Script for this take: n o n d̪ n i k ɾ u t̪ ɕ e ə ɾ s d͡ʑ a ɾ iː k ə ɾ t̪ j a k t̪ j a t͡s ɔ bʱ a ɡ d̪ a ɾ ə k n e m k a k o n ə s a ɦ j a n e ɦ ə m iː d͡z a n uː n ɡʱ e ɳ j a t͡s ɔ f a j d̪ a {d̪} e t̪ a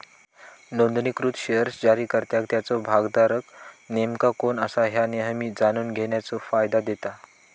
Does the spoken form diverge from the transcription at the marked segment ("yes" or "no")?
no